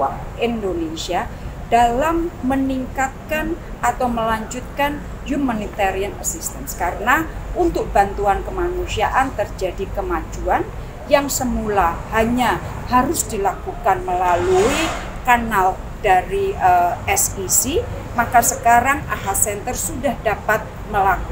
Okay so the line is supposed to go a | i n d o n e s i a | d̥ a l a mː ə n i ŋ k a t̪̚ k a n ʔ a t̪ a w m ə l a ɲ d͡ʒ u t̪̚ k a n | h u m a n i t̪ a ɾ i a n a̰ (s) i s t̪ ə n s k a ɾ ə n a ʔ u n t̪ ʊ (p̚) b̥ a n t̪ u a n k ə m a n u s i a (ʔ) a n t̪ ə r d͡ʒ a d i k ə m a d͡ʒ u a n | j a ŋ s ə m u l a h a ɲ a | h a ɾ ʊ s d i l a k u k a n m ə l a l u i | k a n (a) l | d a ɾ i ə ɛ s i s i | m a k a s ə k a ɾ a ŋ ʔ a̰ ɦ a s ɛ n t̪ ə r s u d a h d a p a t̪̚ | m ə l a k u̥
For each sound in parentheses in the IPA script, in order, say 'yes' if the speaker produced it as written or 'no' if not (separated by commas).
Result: yes, no, yes, yes